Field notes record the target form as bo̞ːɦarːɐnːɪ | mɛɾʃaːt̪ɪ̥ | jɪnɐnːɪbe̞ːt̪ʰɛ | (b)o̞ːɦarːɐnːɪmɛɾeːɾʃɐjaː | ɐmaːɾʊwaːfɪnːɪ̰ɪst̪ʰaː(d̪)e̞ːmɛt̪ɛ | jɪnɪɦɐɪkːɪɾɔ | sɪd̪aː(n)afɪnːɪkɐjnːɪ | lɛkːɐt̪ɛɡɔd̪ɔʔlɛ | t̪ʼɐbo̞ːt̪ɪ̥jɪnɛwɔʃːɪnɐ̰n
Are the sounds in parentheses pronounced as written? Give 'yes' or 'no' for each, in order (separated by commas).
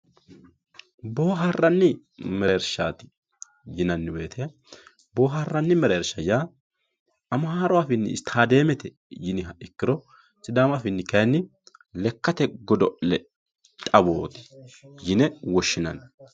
yes, yes, no